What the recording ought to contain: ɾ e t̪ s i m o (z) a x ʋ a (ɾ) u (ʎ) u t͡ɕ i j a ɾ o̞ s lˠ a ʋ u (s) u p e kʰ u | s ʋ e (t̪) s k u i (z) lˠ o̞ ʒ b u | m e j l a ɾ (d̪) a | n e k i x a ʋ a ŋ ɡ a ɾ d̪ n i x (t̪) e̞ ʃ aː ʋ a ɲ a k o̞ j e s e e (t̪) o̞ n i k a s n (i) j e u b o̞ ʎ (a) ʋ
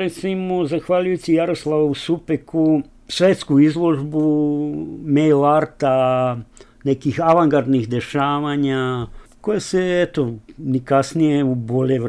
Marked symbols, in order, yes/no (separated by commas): yes, no, no, yes, yes, yes, no, no, yes, yes, no